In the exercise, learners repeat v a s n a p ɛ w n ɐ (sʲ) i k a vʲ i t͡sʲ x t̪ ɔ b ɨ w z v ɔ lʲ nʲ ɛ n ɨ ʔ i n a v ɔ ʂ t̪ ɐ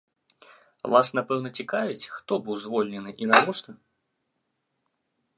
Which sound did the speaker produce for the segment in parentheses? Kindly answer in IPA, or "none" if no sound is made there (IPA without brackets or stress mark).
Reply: t͡sʲ